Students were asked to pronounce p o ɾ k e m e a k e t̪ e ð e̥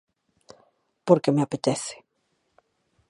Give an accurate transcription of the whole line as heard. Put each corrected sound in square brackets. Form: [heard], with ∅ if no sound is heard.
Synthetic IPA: p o ɾ k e m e a [p] e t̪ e [θ] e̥